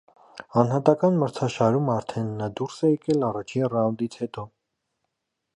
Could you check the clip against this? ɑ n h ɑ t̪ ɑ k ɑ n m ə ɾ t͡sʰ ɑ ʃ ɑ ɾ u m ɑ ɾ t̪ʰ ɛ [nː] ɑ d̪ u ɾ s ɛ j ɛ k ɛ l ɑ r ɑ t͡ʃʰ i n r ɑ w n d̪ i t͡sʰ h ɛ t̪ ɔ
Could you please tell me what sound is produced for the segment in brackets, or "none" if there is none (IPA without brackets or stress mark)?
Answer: nː